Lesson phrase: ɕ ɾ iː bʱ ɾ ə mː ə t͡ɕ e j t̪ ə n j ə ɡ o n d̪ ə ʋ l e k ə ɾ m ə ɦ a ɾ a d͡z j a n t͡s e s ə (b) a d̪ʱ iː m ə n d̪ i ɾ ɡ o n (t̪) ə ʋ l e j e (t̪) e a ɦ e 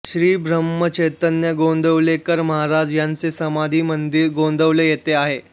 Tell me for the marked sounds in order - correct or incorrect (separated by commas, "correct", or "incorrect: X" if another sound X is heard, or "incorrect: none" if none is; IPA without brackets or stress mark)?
incorrect: m, incorrect: d̪, correct